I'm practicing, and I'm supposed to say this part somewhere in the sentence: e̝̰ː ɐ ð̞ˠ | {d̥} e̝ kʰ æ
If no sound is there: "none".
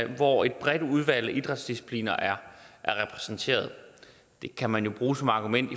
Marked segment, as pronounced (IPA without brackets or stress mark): d̥